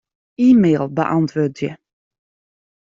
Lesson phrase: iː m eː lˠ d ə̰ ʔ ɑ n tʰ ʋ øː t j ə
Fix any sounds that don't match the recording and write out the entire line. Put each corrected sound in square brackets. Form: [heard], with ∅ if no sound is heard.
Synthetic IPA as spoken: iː m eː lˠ [b] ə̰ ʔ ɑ n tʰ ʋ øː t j ə

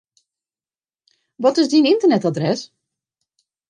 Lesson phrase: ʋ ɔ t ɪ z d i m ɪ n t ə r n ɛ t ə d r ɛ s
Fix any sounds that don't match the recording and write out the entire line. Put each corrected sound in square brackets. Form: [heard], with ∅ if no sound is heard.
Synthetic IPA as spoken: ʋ ɔ t ɪ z d i [n] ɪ n t ə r n ɛ t [a] d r ɛ s

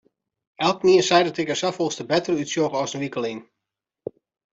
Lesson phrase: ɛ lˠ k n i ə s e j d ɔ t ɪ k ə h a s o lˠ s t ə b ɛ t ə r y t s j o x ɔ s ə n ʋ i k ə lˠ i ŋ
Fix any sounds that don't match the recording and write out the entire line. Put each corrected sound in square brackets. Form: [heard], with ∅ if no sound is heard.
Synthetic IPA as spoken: ɛ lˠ k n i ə s [ɛ] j d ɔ t ɪ k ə [s] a [f] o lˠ s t ə b ɛ t ə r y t s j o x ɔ s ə n ʋ i k ə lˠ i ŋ

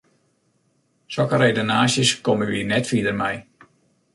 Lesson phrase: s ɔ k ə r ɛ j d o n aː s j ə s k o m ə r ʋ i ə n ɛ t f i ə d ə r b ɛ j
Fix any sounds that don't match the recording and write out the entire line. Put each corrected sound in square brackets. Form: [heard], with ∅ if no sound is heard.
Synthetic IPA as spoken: s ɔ k ə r [e] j d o n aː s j ə s k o m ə [∅] ʋ i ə n ɛ t f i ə d ə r [m] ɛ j

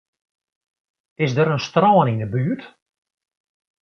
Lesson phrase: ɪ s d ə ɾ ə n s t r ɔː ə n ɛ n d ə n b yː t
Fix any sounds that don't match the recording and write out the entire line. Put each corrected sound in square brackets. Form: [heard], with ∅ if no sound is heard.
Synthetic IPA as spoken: ɪ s d ə ɾ ə n s t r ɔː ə n [i] n d ə [∅] b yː t

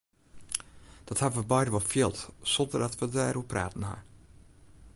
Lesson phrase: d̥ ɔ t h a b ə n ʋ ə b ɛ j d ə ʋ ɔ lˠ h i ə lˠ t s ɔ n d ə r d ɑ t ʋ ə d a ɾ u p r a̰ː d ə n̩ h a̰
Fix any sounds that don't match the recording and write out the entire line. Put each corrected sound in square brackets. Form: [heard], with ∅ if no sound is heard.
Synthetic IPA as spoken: d̥ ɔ t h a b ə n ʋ ə b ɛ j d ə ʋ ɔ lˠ [f] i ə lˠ t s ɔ n d ə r d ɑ t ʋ ə d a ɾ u p r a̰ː [t] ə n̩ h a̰

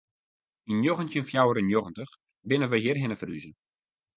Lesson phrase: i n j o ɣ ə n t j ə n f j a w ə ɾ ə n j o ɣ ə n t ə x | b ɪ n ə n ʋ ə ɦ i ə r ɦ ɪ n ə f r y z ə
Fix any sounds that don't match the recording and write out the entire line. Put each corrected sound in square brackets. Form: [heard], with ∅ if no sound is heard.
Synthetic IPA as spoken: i n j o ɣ ə n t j ə n f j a w ə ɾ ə n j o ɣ ə n t ə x | b ɪ n ə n ʋ ə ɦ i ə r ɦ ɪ n ə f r y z ə

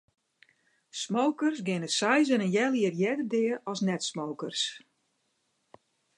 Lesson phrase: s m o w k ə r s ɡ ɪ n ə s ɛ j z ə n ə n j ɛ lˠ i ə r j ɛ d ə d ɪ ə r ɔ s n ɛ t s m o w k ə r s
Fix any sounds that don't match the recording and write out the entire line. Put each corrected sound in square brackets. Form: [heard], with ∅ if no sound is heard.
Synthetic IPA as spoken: s m o w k ə r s ɡ ɪ n ə s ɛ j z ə n ə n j ɛ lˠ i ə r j ɛ d ə d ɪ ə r ɔ s n ɛ t s m o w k ə r s

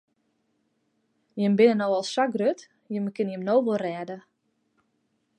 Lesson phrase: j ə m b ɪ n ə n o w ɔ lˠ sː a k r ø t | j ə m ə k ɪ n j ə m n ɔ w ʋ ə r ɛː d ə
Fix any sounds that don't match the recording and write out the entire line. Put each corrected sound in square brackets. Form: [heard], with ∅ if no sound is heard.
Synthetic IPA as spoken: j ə m b ɪ n ə n o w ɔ lˠ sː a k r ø t | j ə m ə k ɪ n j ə m n [o] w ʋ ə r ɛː d ə

